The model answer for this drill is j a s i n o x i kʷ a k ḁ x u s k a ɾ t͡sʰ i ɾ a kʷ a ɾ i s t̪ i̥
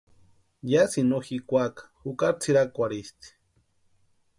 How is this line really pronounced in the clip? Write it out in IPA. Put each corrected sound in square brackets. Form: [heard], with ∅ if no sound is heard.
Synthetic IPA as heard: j a s i n o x i kʷ a k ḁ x u [∅] k a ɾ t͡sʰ i ɾ a kʷ a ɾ i s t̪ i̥